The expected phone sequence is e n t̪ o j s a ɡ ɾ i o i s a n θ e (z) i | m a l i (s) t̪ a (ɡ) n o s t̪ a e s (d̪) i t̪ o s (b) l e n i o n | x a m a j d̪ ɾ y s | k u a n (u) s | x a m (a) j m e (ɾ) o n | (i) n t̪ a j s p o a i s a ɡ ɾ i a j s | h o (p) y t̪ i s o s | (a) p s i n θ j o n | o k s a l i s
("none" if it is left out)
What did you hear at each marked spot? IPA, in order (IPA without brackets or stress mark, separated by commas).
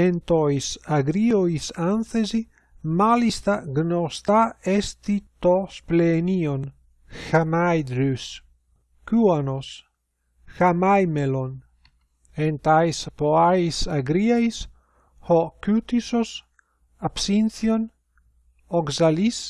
z, s, ɡ, t̪, p, o, a, l, e, k, a